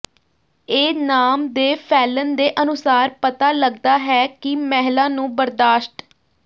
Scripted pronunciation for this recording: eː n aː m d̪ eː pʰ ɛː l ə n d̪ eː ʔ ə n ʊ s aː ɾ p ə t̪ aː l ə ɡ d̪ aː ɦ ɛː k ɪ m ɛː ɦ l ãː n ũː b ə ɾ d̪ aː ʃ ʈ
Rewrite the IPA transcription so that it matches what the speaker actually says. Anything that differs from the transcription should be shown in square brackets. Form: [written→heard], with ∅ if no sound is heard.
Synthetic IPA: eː n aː m d̪ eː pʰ ɛː l ə n d̪ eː ʔ ə n ʊ s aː ɾ p ə t̪ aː l ə ɡ d̪ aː ɦ ɛː k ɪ m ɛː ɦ l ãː n ũː b ə ɾ d̪ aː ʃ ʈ